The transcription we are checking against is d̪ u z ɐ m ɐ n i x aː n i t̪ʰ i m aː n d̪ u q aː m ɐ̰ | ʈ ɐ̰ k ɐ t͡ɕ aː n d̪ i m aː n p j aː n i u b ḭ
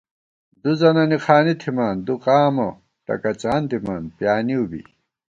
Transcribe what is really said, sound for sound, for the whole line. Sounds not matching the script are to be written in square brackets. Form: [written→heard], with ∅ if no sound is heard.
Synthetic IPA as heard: d̪ u z ɐ [m→n] ɐ n i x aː n i t̪ʰ i m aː n d̪ u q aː m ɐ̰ | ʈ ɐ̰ k ɐ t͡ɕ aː n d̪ i m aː n p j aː n i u b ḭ